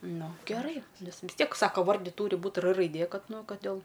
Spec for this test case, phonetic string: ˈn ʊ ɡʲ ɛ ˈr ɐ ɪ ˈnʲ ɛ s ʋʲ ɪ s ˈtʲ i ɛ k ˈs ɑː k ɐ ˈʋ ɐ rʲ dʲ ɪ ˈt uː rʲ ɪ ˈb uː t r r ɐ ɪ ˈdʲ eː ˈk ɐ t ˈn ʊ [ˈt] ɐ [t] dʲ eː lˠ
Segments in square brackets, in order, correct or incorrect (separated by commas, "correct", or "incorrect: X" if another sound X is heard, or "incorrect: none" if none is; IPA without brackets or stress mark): incorrect: k, correct